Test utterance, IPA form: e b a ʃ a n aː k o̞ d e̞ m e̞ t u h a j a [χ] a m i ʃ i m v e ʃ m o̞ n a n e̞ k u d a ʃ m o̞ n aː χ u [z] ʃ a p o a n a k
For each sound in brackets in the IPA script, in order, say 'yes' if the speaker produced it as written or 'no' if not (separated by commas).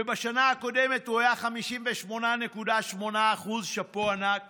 yes, yes